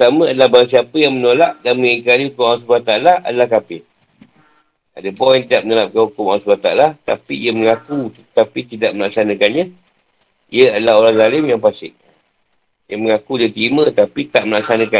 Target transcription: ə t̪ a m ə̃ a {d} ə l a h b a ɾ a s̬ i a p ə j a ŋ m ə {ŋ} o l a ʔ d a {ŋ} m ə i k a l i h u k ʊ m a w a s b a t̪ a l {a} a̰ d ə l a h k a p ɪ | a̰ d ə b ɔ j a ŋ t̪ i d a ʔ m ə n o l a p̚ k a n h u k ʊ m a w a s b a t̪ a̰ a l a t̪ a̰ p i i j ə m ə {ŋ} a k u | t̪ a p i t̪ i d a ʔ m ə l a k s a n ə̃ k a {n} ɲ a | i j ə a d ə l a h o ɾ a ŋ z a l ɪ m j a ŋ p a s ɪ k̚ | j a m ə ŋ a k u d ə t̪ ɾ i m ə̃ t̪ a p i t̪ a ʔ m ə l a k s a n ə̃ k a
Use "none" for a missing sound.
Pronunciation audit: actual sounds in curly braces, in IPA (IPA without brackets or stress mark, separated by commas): d, n, n, a, ŋ, n